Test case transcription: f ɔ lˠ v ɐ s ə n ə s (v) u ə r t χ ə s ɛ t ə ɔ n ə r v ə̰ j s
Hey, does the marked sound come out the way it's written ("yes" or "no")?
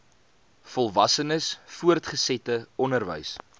no